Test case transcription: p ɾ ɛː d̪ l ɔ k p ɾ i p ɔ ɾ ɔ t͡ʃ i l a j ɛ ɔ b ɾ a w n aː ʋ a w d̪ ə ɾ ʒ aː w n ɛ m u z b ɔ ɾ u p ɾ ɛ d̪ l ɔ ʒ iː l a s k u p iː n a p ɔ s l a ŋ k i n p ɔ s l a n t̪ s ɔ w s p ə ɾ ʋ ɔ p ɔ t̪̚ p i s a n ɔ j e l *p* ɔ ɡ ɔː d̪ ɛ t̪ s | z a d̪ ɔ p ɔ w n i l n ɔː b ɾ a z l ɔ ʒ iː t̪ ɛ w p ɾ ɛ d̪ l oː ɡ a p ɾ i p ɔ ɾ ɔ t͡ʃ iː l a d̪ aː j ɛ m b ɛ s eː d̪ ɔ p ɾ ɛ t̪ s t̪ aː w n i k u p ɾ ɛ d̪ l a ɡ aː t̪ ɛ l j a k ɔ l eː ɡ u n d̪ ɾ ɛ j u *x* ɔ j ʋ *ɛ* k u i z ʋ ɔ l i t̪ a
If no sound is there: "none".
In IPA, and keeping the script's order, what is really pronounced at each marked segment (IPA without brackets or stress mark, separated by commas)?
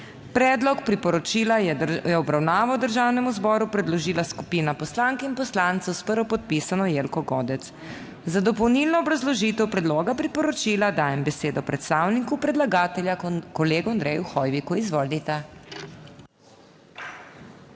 k, x, i